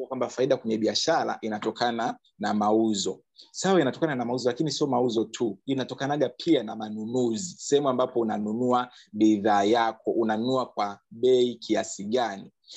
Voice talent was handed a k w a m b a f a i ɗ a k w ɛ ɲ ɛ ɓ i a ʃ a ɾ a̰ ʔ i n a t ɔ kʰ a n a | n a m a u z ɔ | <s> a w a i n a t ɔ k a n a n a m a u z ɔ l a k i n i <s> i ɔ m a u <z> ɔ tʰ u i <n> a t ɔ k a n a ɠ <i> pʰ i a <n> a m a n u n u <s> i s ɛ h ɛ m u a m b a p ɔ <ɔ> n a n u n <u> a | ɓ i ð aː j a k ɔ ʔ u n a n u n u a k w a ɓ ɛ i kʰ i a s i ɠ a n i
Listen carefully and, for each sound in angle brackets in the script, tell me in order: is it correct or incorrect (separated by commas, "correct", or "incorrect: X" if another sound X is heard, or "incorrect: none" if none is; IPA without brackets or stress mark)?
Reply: correct, correct, correct, correct, incorrect: a, correct, incorrect: z, incorrect: u, correct